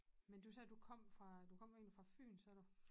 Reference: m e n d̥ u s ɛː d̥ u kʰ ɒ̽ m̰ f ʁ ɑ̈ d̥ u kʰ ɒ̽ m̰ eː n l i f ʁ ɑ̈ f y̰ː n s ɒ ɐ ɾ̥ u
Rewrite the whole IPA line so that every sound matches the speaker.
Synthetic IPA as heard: m e n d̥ u s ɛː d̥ u kʰ ɒ̽ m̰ f ʁ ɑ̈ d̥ u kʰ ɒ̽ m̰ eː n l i f ʁ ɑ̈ f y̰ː n s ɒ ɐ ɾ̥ u